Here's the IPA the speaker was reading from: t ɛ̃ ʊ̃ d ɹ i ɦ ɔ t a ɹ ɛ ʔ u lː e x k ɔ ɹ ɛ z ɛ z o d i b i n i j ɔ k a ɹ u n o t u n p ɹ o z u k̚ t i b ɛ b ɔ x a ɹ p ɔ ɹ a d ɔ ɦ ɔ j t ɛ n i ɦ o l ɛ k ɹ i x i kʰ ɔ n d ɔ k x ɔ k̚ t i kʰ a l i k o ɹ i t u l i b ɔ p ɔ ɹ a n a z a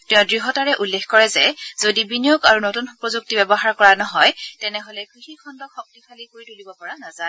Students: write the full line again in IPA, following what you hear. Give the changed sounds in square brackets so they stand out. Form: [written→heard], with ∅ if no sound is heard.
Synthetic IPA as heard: t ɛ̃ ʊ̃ d ɹ i ɦ ɔ t a ɹ ɛ ʔ u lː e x k ɔ ɹ ɛ z ɛ z o d i b i n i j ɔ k a ɹ u n o t u n p ɹ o z u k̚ t i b ɛ b ɔ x a ɹ [p→k] ɔ ɹ a [d→n] ɔ ɦ ɔ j t ɛ n [i→ɛ] ɦ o l ɛ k ɹ i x i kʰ ɔ n d ɔ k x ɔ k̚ t i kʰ a l i k o ɹ i t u l i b ɔ p ɔ ɹ a n a z a

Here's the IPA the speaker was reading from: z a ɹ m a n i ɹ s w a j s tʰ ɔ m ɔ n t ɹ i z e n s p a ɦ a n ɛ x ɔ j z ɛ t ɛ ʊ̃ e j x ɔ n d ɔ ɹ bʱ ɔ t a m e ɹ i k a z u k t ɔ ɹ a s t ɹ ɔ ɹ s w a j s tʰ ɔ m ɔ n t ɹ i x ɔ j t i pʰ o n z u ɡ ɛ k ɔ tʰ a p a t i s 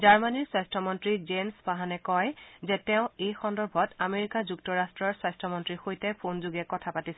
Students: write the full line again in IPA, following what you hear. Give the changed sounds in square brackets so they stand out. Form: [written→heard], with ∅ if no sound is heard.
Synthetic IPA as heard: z a ɹ m a n i ɹ s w a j s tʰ ɔ m ɔ n t ɹ i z e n s p a ɦ a n ɛ [x→k] ɔ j z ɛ t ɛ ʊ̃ e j x ɔ n d ɔ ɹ bʱ ɔ t a m e ɹ i k a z u k t ɔ ɹ a s t ɹ ɔ ɹ s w a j s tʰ ɔ m ɔ n t ɹ i x [ɔ→o] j t [i→ɛ] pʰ o n z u ɡ ɛ k ɔ tʰ a p a t i s

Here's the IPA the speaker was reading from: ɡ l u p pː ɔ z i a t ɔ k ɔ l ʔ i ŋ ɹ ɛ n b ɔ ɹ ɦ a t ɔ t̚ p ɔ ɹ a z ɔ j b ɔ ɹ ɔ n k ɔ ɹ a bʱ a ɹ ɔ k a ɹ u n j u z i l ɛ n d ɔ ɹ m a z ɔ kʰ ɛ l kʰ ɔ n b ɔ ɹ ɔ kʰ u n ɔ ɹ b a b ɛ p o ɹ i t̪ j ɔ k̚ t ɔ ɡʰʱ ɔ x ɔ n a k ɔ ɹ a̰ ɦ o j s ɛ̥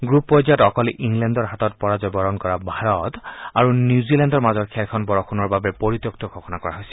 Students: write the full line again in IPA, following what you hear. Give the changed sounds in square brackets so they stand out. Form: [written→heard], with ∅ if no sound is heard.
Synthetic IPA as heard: ɡ [l→ɹ] u p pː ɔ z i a t ɔ k ɔ l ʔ i ŋ [ɹ→l] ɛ n [b→d] ɔ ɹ ɦ a t ɔ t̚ p ɔ ɹ a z ɔ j b ɔ ɹ ɔ n k ɔ ɹ a bʱ a ɹ ɔ [k→t] a ɹ u n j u z i l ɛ n d ɔ ɹ m a z ɔ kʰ ɛ l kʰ ɔ n b ɔ ɹ ɔ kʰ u n ɔ ɹ b a b ɛ p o ɹ i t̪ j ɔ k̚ t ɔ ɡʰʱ ɔ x ɔ n a k ɔ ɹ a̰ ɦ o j s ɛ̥

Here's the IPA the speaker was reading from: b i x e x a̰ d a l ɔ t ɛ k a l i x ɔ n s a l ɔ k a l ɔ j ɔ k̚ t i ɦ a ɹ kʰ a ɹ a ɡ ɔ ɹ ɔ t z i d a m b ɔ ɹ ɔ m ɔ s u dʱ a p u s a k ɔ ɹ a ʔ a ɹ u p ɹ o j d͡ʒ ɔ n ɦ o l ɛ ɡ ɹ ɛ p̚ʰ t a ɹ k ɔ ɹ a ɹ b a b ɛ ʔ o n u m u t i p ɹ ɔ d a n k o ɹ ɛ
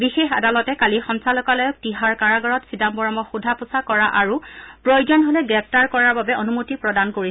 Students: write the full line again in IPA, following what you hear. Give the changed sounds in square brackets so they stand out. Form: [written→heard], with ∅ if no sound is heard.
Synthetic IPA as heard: b i x e x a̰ d a l ɔ t ɛ k a l i x ɔ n s a l ɔ k a l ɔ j ɔ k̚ t i ɦ a ɹ [kʰ→k] a ɹ a ɡ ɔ ɹ ɔ t [z→s] i d a m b ɔ ɹ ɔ m ɔ [s→x] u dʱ a p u s a k ɔ ɹ a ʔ a ɹ u p ɹ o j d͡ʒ ɔ n ɦ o l ɛ ɡ ɹ ɛ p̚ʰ t a ɹ k ɔ ɹ a ɹ b a b ɛ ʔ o n u m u t i p ɹ ɔ d a n k o ɹ [ɛ→i]

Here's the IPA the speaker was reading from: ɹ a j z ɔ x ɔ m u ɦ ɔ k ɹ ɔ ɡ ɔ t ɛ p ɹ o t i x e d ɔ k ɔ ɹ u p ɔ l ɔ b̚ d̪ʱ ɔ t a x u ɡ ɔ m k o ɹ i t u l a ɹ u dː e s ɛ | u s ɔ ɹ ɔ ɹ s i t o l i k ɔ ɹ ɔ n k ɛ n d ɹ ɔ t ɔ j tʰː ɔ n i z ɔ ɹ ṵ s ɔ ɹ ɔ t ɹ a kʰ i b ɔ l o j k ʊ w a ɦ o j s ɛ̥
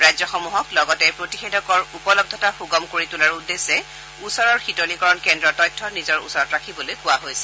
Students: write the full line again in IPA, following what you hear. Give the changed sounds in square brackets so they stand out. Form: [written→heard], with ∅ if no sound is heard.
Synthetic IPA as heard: ɹ a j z ɔ x ɔ m u ɦ ɔ k [ɹ→l] ɔ ɡ ɔ t ɛ p ɹ o t i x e d ɔ k ɔ ɹ u p ɔ l ɔ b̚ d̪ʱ ɔ t a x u ɡ ɔ m k o ɹ i t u l a ɹ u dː e s ɛ | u s ɔ ɹ ɔ ɹ [s→x] i t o l i k ɔ ɹ ɔ n k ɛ n d ɹ ɔ t ɔ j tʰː ɔ n i z ɔ ɹ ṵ s ɔ ɹ ɔ t ɹ a kʰ i b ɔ l o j k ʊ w a ɦ o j s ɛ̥

